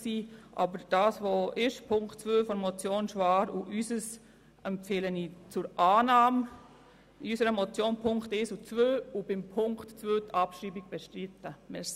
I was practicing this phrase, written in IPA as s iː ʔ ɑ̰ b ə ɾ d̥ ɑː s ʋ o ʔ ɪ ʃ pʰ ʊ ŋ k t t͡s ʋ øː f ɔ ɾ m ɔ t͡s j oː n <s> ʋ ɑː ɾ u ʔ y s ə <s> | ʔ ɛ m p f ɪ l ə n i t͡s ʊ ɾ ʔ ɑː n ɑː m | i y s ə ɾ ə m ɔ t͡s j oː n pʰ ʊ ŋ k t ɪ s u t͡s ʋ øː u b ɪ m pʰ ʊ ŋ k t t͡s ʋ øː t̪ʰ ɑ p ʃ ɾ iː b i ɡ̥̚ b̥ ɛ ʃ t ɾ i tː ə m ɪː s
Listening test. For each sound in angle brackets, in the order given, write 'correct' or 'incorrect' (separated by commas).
incorrect, correct